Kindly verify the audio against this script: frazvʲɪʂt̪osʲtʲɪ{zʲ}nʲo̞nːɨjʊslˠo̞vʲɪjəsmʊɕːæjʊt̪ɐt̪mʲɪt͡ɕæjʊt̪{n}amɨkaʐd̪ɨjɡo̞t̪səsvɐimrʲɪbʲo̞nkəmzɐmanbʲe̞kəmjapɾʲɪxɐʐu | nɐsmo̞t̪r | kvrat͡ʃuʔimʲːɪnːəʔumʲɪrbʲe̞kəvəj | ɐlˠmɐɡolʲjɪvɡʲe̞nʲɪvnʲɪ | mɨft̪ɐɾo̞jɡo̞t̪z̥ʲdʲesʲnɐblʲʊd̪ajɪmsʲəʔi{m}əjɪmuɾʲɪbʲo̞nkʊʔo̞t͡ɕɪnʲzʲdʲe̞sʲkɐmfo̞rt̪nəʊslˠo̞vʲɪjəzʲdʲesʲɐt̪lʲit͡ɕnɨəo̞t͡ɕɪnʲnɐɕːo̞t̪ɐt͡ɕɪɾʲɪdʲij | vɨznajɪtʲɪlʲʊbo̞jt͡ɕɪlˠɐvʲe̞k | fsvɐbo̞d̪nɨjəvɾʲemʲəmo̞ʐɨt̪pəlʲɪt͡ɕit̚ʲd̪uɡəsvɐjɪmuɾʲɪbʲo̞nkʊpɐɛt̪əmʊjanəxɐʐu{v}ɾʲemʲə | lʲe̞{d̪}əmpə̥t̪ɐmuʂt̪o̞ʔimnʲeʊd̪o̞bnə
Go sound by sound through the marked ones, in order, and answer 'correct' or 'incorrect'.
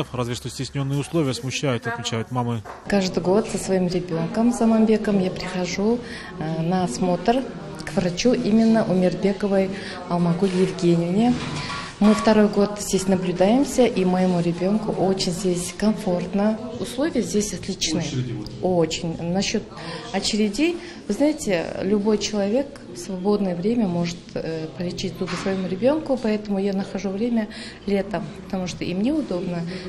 incorrect: sʲ, incorrect: m, correct, correct, incorrect: t̪

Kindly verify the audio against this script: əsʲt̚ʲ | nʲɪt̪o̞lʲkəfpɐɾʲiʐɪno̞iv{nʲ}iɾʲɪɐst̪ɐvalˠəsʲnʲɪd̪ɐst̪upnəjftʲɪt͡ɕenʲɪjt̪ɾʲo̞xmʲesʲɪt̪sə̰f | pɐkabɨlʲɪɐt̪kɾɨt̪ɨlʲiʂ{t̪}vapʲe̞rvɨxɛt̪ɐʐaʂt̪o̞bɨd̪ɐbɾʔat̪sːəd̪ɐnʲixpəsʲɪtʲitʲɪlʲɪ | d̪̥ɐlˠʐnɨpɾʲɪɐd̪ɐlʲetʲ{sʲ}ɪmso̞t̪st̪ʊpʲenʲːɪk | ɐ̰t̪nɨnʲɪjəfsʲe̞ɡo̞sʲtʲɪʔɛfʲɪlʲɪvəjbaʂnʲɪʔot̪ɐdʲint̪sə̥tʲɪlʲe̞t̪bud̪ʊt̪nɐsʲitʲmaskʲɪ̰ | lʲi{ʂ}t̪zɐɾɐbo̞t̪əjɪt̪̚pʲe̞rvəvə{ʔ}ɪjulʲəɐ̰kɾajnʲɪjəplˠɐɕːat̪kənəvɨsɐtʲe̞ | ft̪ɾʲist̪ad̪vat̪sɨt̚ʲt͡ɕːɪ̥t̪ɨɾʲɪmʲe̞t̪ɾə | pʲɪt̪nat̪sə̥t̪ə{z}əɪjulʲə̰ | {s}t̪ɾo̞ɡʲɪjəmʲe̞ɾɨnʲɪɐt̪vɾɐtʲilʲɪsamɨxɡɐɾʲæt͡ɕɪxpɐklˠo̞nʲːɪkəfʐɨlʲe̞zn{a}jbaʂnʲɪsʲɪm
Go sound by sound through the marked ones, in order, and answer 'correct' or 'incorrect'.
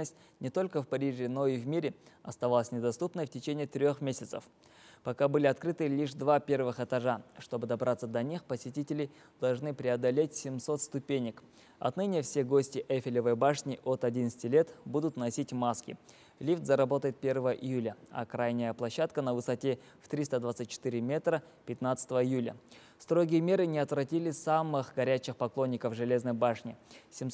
incorrect: mʲ, incorrect: d̪, correct, incorrect: f, correct, incorrect: v, correct, incorrect: ə

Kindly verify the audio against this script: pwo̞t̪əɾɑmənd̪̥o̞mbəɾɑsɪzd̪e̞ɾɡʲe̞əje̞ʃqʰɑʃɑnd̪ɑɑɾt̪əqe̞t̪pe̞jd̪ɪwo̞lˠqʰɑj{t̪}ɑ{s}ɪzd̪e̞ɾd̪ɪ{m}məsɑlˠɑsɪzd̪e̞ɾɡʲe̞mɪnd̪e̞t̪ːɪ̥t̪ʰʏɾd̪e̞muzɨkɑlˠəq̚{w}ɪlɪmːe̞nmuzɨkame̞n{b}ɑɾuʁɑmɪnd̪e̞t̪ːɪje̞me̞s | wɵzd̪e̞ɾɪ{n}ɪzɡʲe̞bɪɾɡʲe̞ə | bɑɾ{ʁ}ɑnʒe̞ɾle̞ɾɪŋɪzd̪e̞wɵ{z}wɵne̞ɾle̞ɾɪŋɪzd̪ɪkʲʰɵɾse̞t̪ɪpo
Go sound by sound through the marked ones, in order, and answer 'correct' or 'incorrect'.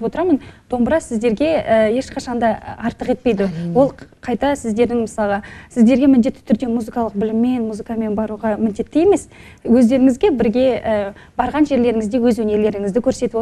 correct, correct, incorrect: ŋ, incorrect: b, correct, incorrect: ŋ, correct, correct

